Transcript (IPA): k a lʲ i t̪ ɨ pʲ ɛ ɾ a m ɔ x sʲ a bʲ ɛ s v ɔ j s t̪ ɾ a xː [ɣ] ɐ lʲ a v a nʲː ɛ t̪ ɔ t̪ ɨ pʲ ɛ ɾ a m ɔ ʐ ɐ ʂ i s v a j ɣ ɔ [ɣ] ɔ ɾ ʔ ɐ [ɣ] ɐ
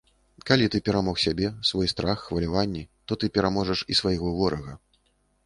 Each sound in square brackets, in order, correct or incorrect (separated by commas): incorrect, incorrect, correct